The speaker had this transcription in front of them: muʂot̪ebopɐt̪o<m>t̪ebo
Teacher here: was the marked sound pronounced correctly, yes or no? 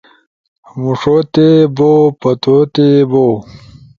no